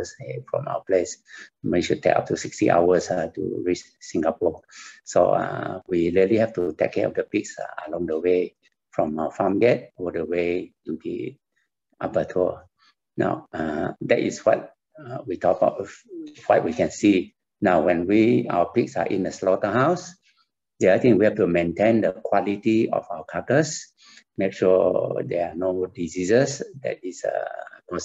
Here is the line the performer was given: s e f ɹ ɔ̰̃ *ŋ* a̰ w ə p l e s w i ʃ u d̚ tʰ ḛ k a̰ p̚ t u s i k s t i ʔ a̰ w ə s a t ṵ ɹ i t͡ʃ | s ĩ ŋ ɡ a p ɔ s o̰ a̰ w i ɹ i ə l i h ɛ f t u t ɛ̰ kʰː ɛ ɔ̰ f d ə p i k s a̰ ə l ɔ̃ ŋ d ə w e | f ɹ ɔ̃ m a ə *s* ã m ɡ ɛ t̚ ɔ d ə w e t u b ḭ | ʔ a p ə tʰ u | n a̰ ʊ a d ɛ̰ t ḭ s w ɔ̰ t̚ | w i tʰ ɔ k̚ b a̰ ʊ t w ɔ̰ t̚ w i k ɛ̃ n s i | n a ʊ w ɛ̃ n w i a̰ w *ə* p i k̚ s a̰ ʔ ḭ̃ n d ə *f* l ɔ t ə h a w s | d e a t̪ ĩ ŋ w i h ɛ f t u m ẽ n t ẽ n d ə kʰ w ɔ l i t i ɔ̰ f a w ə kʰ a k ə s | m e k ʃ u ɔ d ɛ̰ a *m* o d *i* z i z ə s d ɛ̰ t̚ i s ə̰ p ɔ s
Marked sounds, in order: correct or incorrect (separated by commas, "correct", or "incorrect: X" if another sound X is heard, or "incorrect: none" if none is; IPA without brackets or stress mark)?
incorrect: m, incorrect: f, correct, incorrect: s, incorrect: n, correct